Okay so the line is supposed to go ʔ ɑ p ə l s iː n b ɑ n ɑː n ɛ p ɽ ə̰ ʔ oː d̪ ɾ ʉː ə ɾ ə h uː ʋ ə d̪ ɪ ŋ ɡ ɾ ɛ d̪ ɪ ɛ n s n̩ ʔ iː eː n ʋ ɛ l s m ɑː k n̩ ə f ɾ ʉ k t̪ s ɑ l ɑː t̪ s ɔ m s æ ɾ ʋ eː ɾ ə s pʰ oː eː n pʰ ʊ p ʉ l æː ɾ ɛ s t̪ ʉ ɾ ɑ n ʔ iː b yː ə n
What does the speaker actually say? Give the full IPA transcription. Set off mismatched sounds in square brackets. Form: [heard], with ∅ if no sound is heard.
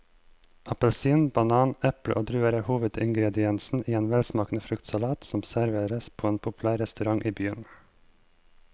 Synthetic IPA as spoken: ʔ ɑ p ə l s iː n b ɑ n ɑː n ɛ p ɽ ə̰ ʔ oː d̪ ɾ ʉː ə ɾ ə h uː ʋ ə d̪ ɪ ŋ ɡ ɾ ɛ d̪ ɪ ɛ n s n̩ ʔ iː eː n ʋ ɛ l s m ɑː k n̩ ə f ɾ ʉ k t̪ s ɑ l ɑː t̪ s ɔ m s æ ɾ ʋ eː ɾ ə s pʰ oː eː n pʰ ʊ p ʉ l æː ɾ ɛ s t̪ ʉ ɾ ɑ [ŋ] ʔ iː b yː ə n